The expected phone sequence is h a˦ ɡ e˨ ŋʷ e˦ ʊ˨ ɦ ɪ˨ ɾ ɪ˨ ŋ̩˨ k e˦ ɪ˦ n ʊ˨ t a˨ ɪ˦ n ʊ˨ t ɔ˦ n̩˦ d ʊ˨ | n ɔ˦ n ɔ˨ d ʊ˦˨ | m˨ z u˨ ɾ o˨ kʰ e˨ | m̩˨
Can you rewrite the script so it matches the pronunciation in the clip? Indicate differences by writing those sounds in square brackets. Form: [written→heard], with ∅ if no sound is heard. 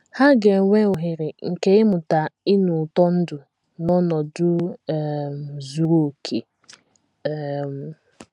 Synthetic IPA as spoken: h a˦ ɡ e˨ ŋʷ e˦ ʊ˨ ɦ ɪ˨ ɾ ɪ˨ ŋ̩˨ k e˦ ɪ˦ [n→m] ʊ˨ t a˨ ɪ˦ n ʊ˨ t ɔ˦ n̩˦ d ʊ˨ | n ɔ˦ n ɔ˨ d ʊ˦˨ | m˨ z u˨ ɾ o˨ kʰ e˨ | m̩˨